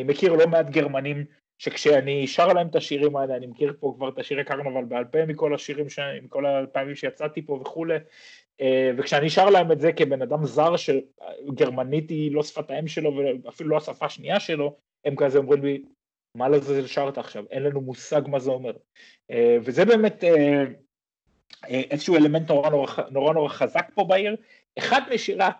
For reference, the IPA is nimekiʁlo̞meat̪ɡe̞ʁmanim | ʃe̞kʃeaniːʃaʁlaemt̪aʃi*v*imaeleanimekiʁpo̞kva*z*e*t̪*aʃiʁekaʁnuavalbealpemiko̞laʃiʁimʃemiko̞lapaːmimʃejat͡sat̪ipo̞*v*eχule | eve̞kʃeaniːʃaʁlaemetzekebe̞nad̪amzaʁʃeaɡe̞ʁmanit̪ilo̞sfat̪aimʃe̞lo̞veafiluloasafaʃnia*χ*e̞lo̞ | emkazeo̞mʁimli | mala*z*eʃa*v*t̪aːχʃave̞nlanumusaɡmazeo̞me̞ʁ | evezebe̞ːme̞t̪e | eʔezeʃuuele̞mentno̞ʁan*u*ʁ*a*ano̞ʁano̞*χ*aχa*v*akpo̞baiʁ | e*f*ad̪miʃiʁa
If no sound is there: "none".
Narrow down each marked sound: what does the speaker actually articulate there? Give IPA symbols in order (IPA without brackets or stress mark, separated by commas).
ʁ, ʁ, t̪, v, ʃ, z, ʁ, o, a, ʁ, z, χ